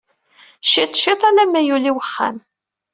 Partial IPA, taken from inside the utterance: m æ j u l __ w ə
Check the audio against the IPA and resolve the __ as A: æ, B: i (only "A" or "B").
B